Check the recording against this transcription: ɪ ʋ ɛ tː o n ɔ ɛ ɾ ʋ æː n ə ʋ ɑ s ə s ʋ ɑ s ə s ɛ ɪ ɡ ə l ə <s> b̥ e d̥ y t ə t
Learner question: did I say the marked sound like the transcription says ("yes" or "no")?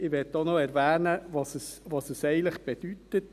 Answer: no